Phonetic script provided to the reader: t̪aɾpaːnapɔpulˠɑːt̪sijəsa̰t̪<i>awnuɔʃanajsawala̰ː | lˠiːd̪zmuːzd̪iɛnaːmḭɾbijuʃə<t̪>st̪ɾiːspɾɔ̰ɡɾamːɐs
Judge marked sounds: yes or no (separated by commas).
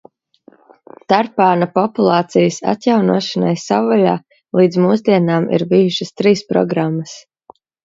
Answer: no, no